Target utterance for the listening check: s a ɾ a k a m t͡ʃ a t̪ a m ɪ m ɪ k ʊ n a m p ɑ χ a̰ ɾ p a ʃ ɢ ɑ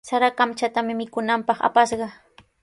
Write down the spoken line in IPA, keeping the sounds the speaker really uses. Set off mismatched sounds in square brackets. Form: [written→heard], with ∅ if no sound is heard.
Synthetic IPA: s a ɾ a k a m t͡ʃ a t̪ a m ɪ m ɪ k ʊ n a m p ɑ χ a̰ [ɾ→∅] p a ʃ ɢ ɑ